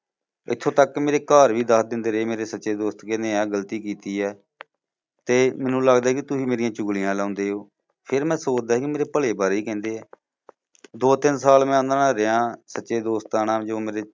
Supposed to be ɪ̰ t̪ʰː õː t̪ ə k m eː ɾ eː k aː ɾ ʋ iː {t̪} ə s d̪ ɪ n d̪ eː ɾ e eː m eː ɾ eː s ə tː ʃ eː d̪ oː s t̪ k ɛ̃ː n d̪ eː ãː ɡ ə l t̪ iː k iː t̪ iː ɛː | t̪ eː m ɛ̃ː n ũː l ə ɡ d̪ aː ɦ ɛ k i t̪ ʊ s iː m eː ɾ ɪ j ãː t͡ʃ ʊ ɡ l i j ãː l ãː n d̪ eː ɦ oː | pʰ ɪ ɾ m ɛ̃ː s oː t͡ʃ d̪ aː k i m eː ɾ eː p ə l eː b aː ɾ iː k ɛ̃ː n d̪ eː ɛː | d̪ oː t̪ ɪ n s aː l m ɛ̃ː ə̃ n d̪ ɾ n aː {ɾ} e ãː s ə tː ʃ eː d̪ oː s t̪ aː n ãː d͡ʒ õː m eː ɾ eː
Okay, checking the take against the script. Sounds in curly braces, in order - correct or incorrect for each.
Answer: incorrect: d̪, correct

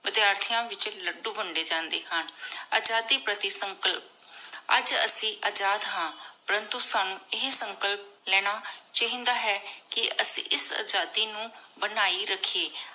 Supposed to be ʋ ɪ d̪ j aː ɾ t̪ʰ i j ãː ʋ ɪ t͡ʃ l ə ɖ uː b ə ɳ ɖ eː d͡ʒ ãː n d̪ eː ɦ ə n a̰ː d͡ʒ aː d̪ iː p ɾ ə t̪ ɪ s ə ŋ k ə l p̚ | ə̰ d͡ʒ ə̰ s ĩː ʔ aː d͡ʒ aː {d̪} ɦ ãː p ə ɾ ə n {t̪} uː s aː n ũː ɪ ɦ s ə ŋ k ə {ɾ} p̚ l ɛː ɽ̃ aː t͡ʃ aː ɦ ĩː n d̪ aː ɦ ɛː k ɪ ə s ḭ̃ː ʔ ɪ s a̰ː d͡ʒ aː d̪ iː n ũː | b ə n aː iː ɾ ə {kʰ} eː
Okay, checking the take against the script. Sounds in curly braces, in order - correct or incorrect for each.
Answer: correct, correct, incorrect: l, correct

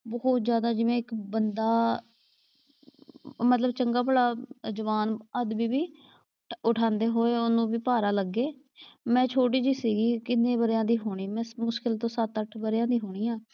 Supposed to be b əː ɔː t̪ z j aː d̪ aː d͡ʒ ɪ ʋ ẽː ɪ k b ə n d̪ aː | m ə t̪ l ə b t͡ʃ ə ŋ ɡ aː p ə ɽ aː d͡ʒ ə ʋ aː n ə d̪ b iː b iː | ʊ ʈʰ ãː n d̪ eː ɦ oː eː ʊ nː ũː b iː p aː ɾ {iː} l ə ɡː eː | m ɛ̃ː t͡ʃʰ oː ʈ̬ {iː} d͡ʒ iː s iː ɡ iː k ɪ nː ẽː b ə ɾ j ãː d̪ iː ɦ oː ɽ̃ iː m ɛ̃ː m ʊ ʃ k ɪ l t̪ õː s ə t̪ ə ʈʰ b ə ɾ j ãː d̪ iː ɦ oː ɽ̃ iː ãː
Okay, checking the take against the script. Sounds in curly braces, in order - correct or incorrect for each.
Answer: incorrect: aː, correct

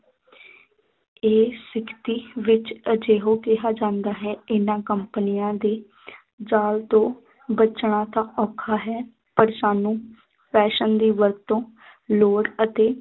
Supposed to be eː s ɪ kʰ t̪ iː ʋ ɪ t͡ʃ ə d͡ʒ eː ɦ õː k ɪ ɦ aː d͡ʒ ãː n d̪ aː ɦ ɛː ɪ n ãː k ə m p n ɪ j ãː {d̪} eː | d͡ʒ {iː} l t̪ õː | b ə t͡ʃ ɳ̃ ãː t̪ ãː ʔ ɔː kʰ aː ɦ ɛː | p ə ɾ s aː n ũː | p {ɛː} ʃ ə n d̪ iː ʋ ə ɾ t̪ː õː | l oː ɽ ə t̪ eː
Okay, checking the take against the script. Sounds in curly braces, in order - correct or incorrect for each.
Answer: correct, incorrect: aː, correct

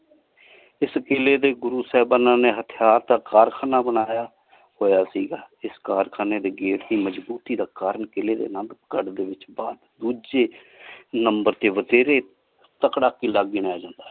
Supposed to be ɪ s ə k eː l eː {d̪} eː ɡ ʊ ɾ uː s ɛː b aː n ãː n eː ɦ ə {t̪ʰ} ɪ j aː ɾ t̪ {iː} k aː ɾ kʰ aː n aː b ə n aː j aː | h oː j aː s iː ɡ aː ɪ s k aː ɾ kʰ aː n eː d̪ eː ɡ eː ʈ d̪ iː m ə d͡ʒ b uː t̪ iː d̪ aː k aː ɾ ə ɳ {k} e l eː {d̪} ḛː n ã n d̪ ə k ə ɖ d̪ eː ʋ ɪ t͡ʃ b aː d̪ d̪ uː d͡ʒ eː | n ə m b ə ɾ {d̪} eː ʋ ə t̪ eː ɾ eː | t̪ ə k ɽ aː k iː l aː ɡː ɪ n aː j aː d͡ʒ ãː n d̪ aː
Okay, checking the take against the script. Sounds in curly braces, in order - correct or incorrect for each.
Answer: correct, correct, incorrect: aː, correct, correct, incorrect: t̪

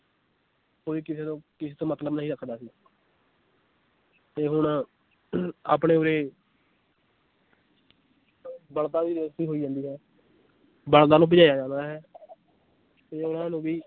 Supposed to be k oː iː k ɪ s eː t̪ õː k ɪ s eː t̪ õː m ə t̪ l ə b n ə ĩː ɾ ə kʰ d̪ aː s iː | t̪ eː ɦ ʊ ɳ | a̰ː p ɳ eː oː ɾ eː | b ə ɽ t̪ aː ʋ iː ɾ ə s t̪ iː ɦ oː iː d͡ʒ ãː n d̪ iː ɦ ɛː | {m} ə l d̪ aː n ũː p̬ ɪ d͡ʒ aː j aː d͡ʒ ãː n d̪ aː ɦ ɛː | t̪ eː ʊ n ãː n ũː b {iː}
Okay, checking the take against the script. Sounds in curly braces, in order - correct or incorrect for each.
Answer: incorrect: b, correct

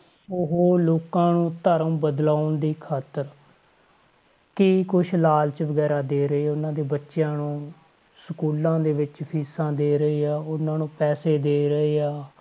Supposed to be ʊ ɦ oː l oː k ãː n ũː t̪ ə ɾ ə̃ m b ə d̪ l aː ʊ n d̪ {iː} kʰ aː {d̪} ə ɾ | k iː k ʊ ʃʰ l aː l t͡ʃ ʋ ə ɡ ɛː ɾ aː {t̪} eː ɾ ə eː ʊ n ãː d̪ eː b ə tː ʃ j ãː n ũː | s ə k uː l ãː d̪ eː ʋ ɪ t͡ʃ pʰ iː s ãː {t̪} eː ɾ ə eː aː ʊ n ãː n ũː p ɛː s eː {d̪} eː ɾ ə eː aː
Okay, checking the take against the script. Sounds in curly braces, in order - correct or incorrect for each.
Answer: correct, incorrect: t̪, incorrect: d̪, incorrect: d̪, correct

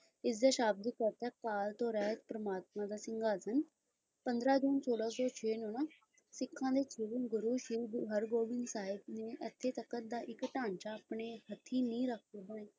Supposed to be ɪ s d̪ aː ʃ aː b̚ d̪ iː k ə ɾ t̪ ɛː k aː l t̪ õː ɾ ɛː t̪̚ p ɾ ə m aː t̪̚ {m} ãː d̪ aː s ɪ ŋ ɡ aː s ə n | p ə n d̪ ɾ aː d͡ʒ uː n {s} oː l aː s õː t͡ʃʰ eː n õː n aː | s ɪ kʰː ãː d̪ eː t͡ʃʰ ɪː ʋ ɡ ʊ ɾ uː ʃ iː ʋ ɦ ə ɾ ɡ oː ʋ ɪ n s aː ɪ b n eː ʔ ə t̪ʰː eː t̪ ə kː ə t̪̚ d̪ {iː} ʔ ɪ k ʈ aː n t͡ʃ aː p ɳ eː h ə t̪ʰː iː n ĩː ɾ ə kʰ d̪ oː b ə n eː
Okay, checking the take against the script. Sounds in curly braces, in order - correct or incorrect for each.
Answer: correct, correct, incorrect: aː

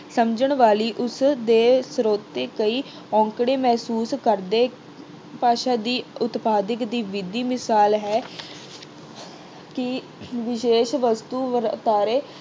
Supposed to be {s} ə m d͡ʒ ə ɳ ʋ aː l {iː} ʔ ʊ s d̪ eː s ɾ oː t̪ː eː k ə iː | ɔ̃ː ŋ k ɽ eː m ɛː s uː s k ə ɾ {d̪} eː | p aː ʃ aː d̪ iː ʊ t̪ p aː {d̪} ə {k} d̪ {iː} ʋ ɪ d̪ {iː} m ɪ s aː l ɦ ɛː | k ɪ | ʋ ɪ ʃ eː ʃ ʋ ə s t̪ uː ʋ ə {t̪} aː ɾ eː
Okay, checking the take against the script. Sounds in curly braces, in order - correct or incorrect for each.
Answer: correct, correct, correct, correct, correct, correct, correct, correct

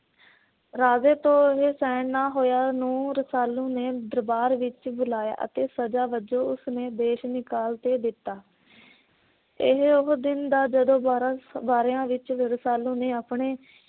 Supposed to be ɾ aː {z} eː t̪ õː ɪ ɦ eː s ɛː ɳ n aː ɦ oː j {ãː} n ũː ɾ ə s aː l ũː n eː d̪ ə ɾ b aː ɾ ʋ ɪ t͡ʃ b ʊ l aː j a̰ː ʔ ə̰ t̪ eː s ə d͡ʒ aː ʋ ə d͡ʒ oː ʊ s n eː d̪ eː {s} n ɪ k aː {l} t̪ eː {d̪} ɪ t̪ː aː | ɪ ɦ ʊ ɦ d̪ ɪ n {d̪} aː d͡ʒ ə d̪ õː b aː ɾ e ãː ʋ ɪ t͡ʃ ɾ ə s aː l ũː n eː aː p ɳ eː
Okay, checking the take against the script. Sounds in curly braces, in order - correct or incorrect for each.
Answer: correct, incorrect: aː, incorrect: ʃ, correct, correct, correct

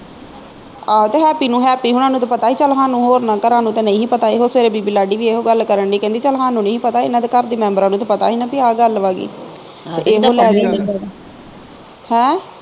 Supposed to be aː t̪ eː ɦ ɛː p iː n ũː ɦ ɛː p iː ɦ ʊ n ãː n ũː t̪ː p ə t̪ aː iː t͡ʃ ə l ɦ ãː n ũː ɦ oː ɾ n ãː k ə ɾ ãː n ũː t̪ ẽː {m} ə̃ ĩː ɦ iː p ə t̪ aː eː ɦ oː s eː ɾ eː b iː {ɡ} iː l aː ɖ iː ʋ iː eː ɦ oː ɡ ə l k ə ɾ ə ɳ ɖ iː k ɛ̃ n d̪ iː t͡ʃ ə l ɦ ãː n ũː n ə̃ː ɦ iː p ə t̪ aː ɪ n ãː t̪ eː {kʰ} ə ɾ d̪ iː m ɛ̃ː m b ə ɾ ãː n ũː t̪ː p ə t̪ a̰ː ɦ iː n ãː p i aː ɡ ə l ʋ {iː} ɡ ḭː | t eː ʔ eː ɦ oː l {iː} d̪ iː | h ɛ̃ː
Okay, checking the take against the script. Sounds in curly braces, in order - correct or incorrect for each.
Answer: incorrect: n, incorrect: b, incorrect: k, incorrect: aː, incorrect: ɛː

